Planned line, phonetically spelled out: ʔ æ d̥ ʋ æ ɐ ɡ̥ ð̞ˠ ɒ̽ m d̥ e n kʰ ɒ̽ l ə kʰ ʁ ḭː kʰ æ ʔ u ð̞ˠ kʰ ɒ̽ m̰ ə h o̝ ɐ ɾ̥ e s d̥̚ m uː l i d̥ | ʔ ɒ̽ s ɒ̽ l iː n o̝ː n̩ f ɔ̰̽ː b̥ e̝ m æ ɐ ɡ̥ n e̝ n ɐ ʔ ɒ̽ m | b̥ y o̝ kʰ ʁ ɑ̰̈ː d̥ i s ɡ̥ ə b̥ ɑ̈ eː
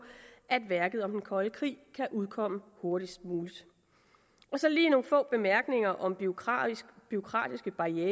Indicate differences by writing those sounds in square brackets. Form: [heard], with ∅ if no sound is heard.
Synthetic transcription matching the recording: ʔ æ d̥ ʋ æ ɐ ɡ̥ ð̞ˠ ɒ̽ m d̥ e n kʰ ɒ̽ l ə kʰ ʁ ḭː kʰ æ ʔ u ð̞ˠ kʰ ɒ̽ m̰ ə h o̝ ɐ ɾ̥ [i] s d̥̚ m uː l i d̥ | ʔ ɒ̽ s ɒ̽ l iː n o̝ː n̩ f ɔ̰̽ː b̥ e̝ m æ ɐ ɡ̥ n e̝ [ŋ] ɐ ʔ ɒ̽ m | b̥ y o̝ kʰ ʁ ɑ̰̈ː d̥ i s ɡ̥ ə b̥ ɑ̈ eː